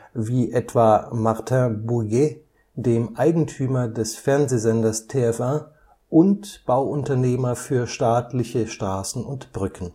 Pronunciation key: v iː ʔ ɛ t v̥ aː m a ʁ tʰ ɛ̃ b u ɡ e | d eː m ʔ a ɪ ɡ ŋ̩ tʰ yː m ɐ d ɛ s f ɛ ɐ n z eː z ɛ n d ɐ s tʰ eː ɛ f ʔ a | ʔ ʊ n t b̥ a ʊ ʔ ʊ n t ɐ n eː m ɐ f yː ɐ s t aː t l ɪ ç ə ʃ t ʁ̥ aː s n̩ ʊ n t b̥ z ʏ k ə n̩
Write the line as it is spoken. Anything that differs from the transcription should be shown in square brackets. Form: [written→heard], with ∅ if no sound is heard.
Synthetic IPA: v iː ʔ ɛ t v̥ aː m a ʁ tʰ ɛ̃ b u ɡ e | d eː m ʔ a ɪ ɡ ŋ̩ tʰ yː m ɐ d ɛ s f ɛ ɐ n z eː z ɛ n d ɐ s tʰ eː ɛ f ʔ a | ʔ ʊ n t b̥ a ʊ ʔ ʊ n t ɐ n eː m ɐ f yː ɐ [s→ʃ] t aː t l ɪ ç ə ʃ t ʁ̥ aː s n̩ ʊ n t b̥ [z→ʁ] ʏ k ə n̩